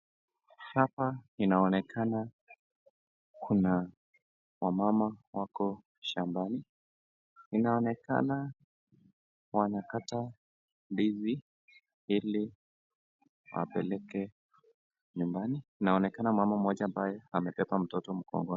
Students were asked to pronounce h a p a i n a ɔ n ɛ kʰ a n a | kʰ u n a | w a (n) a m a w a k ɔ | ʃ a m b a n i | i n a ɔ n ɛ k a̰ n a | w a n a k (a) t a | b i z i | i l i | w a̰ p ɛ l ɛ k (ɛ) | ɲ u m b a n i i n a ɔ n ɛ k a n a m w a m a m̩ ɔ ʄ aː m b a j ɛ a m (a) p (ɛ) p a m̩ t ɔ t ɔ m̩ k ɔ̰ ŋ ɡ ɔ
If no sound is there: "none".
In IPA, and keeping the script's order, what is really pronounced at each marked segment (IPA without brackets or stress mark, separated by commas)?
m, a, ɛ, ɛ, ɛ